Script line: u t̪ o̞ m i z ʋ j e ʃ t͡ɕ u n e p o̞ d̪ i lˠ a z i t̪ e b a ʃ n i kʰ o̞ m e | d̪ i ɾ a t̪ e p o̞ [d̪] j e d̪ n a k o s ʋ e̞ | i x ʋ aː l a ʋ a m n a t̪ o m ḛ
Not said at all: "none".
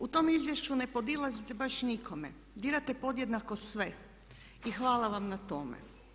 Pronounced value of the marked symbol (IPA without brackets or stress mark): d̪